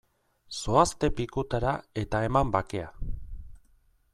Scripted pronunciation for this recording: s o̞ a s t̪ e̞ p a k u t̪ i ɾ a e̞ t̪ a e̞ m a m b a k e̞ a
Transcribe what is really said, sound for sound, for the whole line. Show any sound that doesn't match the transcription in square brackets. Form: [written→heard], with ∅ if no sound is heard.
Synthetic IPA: s o̞ a s t̪ e̞ p [a→i] k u t̪ [i→a] ɾ a e̞ t̪ a e̞ m a m b a k e̞ a